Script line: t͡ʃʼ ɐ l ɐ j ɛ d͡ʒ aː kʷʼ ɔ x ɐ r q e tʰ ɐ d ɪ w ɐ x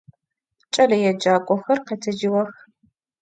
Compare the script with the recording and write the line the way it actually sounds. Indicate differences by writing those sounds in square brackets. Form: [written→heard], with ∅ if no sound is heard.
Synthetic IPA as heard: t͡ʃʼ ɐ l ɐ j ɛ d͡ʒ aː kʷʼ ɔ x ɐ r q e tʰ ɐ [d→d͡ʒ] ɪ w ɐ x